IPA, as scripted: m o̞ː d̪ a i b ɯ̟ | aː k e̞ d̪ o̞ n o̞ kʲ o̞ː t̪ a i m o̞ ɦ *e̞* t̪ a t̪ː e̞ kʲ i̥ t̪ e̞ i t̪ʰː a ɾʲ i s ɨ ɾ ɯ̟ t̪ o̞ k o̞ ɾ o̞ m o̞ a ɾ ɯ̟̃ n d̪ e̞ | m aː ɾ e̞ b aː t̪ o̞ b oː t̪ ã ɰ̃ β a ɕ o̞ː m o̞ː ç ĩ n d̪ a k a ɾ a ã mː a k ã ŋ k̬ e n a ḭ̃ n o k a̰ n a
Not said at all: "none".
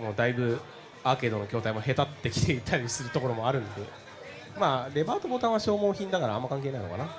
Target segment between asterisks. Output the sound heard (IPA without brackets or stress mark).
e̞